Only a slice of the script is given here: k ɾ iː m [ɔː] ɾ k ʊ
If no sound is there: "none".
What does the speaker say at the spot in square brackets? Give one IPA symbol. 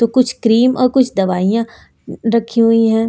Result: ɔː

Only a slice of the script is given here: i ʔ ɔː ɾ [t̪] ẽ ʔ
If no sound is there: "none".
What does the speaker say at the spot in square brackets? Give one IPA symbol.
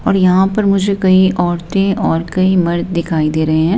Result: t̪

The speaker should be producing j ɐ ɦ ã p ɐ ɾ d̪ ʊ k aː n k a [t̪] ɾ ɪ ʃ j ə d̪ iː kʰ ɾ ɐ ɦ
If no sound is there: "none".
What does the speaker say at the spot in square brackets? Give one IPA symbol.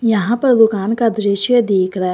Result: d̪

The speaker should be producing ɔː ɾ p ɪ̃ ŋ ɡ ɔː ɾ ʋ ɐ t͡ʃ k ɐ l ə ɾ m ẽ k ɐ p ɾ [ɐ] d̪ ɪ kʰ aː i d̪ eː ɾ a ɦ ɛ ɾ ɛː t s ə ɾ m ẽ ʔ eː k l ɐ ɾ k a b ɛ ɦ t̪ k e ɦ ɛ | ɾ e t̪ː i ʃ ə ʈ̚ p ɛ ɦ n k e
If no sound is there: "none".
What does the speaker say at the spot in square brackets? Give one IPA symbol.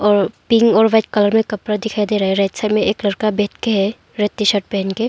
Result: a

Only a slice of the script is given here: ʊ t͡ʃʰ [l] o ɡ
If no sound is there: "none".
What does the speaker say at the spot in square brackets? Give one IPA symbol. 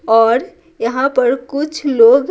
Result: l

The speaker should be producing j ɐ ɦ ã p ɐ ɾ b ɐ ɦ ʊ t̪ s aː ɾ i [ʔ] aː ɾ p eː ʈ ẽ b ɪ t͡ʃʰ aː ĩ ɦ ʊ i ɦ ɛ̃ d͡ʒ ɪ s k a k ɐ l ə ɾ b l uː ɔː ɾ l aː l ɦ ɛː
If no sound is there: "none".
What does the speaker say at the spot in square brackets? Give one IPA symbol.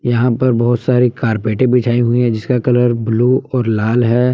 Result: k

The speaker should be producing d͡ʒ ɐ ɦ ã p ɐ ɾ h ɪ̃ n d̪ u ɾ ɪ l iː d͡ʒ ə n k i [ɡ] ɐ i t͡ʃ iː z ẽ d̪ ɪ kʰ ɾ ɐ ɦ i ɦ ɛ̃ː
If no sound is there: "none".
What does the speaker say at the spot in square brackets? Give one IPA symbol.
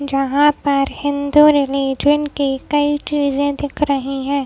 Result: k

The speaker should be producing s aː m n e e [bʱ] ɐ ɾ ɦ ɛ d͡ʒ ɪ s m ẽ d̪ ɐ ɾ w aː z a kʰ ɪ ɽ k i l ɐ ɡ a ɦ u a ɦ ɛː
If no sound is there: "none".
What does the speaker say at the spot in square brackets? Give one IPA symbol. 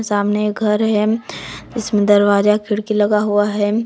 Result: ɡʱ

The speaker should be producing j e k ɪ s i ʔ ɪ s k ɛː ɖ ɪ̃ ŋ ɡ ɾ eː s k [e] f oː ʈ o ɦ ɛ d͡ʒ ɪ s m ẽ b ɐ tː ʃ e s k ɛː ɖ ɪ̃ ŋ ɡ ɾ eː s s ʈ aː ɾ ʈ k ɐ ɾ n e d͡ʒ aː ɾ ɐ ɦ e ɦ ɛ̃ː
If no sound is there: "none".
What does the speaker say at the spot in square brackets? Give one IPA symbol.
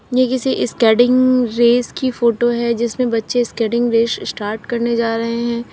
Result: i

